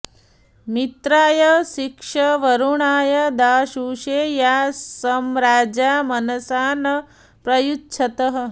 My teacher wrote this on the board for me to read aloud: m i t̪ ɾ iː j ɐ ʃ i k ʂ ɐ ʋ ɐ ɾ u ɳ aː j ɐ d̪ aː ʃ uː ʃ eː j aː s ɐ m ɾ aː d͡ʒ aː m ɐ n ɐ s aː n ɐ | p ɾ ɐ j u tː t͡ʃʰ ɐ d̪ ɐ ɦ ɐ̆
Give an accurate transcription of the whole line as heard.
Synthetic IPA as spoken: m i t̪ ɾ aː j ɐ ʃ i k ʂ ɐ ʋ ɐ ɾ u ɳ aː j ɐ d̪ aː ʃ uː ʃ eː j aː s ɐ m ɾ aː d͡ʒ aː m ɐ n ɐ s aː n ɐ | p ɾ ɐ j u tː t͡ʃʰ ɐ t̪ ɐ ɦ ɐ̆